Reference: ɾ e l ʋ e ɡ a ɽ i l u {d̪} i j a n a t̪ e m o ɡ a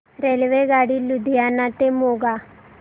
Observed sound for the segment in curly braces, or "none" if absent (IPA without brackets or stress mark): d̪